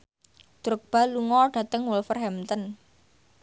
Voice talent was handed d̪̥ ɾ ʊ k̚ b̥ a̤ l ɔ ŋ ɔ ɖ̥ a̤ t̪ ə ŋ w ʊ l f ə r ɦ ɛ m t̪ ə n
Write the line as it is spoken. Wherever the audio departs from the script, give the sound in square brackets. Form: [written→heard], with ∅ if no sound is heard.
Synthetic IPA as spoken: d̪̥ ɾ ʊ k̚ b̥ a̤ l [ɔ→u] ŋ ɔ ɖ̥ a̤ t̪ ə ŋ w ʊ l f ə r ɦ ɛ m t̪ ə n